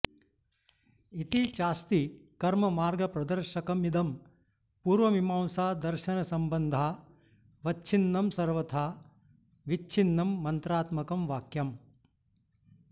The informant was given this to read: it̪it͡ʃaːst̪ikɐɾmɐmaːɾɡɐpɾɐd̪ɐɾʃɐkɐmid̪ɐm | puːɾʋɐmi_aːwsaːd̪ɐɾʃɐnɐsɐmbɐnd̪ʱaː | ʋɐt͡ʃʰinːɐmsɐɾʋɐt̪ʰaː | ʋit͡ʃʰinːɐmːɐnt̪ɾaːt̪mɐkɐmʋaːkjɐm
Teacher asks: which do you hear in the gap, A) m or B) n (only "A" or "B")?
A